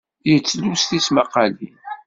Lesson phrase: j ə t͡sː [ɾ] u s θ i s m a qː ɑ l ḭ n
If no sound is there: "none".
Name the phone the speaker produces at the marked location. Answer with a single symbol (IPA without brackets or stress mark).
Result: l